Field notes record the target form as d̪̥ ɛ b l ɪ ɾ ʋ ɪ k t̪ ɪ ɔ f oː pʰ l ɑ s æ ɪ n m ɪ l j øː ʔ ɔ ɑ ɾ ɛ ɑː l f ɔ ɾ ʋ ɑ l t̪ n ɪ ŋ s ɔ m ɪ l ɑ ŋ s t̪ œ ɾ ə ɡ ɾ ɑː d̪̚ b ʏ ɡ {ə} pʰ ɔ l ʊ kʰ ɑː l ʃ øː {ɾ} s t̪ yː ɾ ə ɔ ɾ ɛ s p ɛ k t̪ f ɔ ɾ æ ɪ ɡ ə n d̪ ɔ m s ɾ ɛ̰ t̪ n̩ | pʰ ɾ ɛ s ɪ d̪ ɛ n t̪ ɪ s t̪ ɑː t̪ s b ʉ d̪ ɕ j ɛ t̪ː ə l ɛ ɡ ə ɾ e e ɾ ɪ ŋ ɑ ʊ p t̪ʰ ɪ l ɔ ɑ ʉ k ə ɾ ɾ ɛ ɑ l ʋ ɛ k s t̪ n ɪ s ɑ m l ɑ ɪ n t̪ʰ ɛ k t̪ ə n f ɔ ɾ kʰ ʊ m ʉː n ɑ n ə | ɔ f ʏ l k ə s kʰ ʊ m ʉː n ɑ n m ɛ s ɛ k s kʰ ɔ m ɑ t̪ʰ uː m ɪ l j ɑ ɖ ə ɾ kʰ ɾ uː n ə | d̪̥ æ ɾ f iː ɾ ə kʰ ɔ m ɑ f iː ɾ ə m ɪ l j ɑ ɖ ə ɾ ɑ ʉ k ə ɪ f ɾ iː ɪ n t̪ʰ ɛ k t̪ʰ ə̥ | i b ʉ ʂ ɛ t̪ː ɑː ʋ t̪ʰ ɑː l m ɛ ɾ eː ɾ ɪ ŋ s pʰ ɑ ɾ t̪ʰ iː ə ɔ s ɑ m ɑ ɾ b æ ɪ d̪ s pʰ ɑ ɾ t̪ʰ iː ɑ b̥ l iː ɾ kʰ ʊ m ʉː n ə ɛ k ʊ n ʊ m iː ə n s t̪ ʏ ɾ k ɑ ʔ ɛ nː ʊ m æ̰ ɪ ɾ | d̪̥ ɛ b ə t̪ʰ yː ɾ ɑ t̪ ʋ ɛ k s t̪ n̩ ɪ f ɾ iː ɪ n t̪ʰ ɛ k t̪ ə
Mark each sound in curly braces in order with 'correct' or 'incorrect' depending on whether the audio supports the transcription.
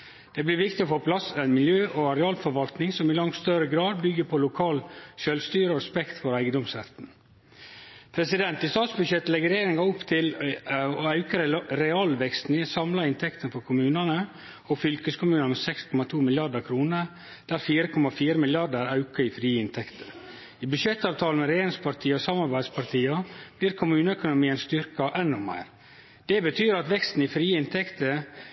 correct, incorrect

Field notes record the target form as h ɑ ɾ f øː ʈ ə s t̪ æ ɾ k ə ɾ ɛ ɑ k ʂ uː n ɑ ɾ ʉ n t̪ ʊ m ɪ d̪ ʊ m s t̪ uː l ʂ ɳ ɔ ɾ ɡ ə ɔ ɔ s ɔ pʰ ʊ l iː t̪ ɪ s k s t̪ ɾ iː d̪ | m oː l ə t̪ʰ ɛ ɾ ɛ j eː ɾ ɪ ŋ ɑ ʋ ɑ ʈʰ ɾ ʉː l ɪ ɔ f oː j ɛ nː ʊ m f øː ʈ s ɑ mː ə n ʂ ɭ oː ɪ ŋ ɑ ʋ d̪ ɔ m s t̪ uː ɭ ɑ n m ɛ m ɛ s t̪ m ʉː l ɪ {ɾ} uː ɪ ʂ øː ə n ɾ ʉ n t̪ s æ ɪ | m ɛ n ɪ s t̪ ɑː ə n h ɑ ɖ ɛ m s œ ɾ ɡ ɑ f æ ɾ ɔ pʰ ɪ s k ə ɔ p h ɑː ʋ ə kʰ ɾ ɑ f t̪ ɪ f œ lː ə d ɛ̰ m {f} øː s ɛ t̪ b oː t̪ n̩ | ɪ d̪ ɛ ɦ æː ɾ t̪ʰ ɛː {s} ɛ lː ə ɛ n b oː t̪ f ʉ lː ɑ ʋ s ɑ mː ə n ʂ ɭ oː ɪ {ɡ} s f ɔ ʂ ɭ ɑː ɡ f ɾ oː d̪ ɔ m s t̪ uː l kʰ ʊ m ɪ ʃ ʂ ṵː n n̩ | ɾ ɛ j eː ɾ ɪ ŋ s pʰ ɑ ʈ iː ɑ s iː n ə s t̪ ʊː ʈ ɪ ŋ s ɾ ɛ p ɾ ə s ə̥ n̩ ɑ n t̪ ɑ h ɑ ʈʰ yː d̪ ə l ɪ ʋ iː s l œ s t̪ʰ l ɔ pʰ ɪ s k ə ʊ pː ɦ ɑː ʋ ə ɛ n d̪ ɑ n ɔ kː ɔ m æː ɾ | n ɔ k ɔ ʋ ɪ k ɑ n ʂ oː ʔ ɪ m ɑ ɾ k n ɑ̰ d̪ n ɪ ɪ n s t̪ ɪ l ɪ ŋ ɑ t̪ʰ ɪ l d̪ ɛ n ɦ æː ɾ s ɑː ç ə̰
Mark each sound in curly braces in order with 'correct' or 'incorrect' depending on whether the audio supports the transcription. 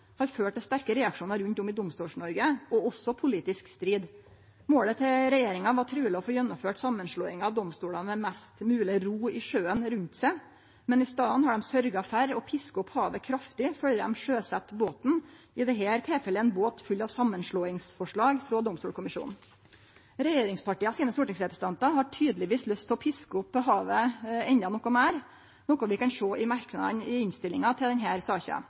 correct, incorrect, incorrect, incorrect

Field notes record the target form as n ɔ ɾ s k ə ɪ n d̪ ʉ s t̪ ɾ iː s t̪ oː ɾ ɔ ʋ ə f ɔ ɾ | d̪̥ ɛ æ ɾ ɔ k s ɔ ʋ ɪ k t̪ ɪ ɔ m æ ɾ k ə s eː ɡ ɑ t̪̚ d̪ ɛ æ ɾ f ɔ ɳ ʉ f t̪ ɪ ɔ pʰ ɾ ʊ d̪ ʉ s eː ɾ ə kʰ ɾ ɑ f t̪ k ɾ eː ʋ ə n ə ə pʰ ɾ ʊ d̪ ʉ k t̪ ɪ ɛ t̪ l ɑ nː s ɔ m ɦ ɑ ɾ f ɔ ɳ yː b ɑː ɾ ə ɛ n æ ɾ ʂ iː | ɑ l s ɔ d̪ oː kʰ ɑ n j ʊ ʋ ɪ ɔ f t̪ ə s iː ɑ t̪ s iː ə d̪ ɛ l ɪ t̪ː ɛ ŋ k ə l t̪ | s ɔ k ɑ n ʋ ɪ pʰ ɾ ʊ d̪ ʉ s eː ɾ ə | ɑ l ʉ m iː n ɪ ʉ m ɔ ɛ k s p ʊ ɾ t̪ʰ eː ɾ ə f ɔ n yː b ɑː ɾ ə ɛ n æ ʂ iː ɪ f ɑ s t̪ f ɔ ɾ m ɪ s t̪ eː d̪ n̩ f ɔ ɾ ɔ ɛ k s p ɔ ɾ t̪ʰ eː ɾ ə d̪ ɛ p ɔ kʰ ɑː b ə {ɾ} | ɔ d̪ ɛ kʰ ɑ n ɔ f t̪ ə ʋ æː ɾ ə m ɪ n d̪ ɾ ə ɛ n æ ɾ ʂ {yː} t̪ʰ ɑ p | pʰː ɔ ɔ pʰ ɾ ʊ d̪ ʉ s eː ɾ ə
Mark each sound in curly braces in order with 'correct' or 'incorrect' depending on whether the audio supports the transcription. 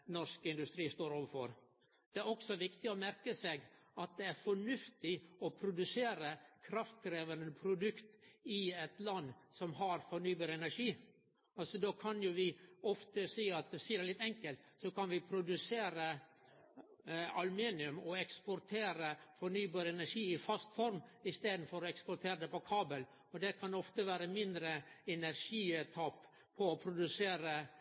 incorrect, incorrect

